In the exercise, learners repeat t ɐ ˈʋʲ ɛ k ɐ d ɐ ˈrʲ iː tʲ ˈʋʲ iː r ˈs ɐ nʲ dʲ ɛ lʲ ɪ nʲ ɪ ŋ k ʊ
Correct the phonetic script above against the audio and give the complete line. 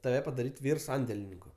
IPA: t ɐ ˈʋʲ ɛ p ɐ d ɐ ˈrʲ iː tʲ ˈʋʲ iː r ˈs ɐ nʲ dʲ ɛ lʲ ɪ nʲ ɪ ŋ k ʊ

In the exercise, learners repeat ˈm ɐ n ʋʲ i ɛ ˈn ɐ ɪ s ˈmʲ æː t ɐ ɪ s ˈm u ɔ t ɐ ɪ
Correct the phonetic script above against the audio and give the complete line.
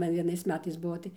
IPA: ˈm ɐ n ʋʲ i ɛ ˈn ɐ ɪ s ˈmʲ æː t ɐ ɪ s ˈb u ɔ t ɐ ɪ

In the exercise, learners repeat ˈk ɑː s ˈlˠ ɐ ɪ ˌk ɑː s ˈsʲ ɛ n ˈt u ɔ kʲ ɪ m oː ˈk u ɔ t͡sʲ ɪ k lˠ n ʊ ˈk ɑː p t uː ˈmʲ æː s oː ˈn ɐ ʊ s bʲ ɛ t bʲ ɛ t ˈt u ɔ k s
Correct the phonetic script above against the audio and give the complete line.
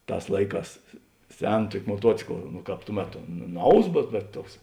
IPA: ˈt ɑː s ˈlˠ ɐ ɪ ˌk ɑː s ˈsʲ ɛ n ˈt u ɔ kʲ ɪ m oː ˈt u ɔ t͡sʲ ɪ k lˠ n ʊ ˈk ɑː p t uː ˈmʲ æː t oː ˈn ɐ ʊ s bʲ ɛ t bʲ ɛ t ˈt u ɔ k s

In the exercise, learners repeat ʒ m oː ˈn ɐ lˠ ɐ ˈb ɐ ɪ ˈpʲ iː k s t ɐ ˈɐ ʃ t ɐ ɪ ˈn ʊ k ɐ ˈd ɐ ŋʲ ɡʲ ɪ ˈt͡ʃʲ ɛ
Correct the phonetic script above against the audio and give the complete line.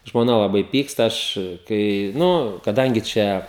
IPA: ʒ m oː ˈn ɐ lˠ ɐ ˈb ɐ ɪ ˈpʲ iː k s t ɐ ˈɐ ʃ k ɐ ɪ ˈn ʊ k ɐ ˈd ɐ ŋʲ ɡʲ ɪ ˈt͡ʃʲ ɛ

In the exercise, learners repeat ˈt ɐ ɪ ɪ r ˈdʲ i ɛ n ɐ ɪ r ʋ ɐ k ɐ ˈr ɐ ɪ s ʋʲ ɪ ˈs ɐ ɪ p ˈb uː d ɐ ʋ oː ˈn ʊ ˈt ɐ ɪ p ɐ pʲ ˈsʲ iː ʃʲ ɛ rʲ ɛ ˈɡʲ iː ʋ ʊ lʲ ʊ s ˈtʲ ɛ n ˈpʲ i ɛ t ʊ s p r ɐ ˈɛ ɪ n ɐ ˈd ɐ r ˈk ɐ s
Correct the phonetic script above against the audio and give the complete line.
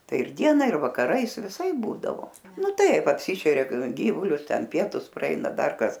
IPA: ˈt ɐ ɪ ɪ r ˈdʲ i ɛ n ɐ ɪ r ʋ ɐ k ɐ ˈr ɐ ɪ s ʋʲ ɪ ˈs ɐ ɪ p ˈb uː d ɐ ʋ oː ˈn ʊ ˈt ɐ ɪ p ɐ pʲ ˈsʲ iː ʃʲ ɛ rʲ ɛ ˈɡʲ iː ʋ ʊ lʲ ʊ s ˈtʲ ɛ n ˈpʲ i ɛ t ʊ s p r ɐ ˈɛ ɪ n ɐ ˈd ɐ r ˈk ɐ s

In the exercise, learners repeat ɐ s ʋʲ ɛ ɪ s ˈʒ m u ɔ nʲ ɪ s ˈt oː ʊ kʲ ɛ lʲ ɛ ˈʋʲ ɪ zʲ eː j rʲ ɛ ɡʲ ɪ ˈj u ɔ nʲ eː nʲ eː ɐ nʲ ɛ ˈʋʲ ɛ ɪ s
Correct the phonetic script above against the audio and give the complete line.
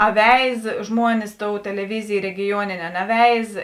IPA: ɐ ʋʲ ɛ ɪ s ˈʒ m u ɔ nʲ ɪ s ˈt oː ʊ tʲ ɛ lʲ ɛ ˈʋʲ ɪ zʲ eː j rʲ ɛ ɡʲ ɪ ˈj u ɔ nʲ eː nʲ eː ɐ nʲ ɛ ˈʋʲ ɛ ɪ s

